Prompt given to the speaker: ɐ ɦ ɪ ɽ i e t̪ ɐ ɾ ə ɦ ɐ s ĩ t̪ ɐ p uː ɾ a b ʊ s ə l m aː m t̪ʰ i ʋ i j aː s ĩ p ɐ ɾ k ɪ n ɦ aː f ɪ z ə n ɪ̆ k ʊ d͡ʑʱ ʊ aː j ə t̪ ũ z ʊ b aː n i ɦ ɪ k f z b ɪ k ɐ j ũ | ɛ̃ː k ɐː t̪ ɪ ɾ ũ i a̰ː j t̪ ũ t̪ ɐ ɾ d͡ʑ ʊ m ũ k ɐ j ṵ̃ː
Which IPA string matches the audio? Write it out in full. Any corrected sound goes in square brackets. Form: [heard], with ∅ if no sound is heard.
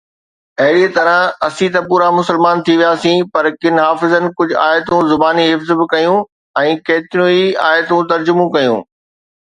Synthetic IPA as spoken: ɐ ɦ ɪ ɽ i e t̪ ɐ ɾ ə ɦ ɐ s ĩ t̪ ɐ p uː ɾ a [m] ʊ s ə l m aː [n] t̪ʰ i ʋ i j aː s ĩ p ɐ ɾ k ɪ n ɦ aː f ɪ z ə n ɪ̆ k ʊ d͡ʑʱ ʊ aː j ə t̪ ũ z ʊ b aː n i ɦ ɪ [∅] f z b ɪ k ɐ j ũ | ɛ̃ː k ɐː t̪ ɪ ɾ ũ i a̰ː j t̪ ũ t̪ ɐ ɾ d͡ʑ ʊ m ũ k ɐ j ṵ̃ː